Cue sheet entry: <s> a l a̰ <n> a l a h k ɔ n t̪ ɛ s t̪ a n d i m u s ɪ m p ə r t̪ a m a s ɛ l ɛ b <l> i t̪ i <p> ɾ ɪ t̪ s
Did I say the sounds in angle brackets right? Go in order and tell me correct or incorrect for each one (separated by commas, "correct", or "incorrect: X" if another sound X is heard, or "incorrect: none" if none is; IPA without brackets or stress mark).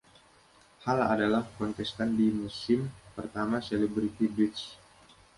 incorrect: h, incorrect: d, incorrect: ɾ, incorrect: b